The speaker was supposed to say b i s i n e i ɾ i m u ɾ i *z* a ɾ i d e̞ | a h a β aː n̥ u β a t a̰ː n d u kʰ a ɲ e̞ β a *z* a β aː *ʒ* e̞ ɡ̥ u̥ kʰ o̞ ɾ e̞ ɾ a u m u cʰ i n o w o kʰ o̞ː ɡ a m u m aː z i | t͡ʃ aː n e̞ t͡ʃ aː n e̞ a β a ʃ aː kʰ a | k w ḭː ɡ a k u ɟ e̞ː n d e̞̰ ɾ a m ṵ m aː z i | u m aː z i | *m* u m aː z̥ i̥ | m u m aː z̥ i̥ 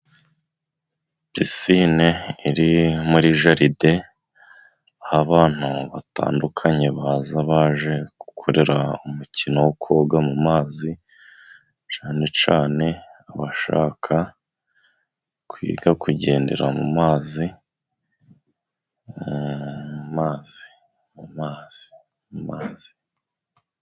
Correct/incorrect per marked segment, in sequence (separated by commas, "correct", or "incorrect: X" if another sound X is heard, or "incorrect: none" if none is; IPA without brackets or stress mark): incorrect: ʒ, correct, correct, correct